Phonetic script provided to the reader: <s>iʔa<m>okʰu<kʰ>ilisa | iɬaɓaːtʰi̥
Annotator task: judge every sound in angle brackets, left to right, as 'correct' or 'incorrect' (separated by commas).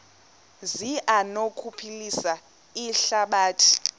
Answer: incorrect, incorrect, incorrect